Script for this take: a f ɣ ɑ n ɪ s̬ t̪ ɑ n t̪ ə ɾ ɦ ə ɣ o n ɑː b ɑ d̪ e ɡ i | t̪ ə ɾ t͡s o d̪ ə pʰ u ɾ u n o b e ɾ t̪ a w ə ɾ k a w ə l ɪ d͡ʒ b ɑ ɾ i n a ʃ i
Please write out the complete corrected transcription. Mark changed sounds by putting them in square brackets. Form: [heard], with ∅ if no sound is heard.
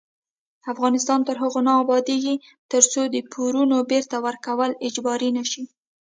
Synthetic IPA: a f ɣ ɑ n ɪ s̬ t̪ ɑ n t̪ ə ɾ ɦ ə ɣ o n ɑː b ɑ d̪ e ɡ i | t̪ ə ɾ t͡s o d̪ ə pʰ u ɾ u n o b e ɾ t̪ a w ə ɾ k a w ə l ɪ d͡ʒ b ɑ ɾ i n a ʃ i